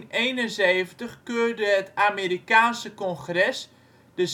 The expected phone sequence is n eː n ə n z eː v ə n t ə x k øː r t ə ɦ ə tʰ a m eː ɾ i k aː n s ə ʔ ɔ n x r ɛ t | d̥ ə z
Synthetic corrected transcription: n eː n ə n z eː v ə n t ə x k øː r d ə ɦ ə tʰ a m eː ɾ i k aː n s ə k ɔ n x r ɛ s | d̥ ə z